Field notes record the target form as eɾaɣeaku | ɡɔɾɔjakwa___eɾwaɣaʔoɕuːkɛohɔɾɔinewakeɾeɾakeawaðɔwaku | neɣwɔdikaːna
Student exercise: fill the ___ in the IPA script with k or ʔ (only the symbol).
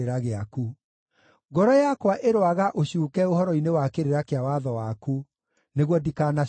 ʔ